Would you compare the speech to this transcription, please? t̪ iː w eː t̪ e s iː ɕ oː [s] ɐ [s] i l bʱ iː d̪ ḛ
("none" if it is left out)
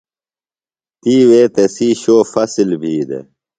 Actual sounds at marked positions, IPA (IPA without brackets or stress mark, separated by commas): f, s